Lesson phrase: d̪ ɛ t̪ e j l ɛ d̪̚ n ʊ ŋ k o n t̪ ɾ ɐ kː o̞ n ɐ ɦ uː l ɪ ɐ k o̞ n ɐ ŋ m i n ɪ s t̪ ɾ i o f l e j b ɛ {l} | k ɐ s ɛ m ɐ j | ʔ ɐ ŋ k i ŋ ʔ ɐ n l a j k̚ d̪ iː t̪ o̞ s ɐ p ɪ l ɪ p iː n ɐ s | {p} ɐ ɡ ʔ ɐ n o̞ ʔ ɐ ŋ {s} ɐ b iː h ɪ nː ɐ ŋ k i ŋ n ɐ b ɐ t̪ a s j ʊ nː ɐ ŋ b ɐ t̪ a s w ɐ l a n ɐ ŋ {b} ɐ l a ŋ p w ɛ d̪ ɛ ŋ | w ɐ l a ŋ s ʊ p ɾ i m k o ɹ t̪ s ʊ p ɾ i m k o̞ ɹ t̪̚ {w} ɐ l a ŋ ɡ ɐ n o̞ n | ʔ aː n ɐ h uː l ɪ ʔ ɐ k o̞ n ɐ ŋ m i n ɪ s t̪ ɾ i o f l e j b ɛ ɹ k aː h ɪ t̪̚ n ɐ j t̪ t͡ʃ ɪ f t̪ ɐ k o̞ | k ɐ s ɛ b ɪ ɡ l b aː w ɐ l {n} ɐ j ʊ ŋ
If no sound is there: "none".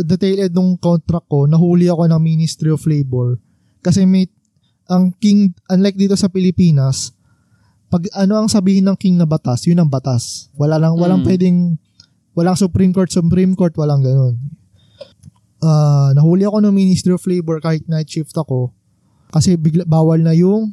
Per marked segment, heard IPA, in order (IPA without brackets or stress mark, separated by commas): ɹ, p, s, w, w, n